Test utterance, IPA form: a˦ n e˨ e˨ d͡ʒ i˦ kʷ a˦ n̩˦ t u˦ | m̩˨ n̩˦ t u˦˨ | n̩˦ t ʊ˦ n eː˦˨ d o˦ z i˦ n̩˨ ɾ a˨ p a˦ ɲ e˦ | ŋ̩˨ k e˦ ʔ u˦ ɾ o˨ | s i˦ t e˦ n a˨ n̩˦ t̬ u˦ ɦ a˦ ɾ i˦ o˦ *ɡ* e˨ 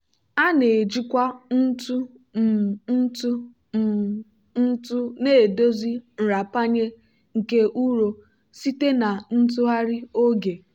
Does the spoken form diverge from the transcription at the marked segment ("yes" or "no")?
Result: no